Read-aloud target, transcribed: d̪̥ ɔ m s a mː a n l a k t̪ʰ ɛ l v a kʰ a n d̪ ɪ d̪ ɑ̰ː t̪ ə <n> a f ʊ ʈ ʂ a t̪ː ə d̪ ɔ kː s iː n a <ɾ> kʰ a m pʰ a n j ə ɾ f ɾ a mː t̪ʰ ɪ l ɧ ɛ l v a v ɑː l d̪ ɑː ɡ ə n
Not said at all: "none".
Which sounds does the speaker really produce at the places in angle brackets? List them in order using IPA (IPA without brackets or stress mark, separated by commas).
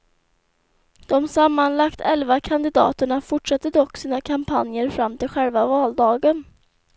ɳ, none